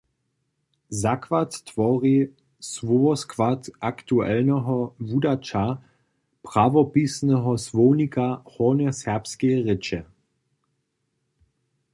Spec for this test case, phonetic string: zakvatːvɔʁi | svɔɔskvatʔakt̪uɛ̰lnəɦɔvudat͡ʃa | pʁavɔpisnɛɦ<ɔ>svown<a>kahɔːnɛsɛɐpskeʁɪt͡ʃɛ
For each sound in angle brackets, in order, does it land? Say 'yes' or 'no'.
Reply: yes, no

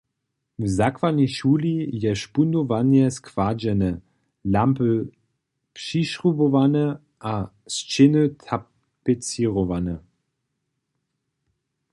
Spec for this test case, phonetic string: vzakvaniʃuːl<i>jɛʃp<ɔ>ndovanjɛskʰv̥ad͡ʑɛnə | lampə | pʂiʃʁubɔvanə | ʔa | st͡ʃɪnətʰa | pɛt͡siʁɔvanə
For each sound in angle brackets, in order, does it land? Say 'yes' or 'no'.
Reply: yes, no

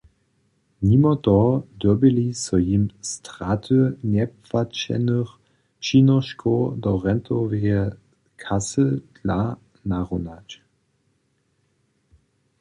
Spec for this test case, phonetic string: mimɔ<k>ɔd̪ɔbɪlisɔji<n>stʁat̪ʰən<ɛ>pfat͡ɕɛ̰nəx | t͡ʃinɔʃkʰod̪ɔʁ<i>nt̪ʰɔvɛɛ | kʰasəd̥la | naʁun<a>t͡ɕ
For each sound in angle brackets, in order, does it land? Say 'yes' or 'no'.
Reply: no, no, yes, no, yes

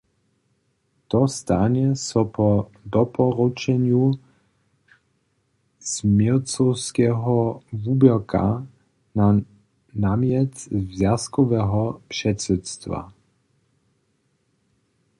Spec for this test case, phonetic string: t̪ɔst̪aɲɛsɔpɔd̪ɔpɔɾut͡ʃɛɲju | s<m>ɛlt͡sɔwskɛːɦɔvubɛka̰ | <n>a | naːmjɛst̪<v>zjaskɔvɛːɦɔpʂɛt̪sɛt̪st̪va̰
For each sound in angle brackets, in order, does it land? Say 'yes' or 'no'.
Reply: yes, yes, yes

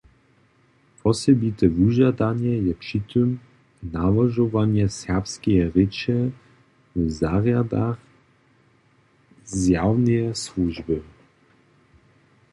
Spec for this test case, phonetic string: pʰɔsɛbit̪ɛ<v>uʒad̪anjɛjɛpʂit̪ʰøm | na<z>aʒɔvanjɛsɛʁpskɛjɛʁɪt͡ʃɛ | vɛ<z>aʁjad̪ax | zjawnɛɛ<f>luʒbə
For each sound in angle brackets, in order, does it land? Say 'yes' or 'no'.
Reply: yes, no, yes, no

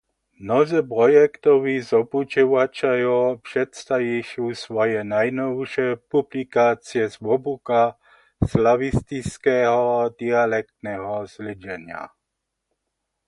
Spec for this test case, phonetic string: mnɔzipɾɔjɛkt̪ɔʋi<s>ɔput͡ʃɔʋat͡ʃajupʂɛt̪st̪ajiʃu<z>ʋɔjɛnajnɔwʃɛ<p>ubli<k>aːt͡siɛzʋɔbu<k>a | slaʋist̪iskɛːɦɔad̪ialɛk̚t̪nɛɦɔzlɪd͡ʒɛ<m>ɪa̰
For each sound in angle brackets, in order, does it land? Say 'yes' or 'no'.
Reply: no, no, yes, yes, yes, no

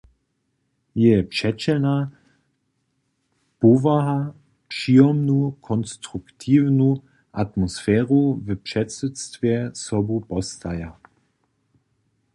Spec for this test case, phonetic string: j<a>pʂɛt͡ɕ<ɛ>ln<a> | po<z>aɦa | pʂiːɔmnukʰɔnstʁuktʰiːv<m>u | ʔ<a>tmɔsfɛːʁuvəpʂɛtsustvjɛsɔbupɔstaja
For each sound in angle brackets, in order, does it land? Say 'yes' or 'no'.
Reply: no, yes, yes, no, no, yes

